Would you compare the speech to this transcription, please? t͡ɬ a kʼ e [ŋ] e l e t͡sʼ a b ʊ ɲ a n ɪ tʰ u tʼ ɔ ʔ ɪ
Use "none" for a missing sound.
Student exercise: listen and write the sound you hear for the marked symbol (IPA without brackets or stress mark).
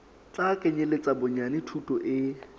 ɲ